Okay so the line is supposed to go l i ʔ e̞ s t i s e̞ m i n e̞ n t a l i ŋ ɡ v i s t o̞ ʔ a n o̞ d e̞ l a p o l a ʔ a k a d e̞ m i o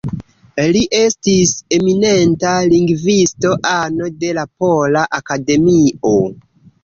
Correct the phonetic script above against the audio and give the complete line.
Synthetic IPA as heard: l i ʔ e̞ s t i s e̞ m i n e̞ n t a l i ŋ ɡ v i s t o̞ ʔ a n o̞ d e̞ l a p o l a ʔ a k a d e̞ m i o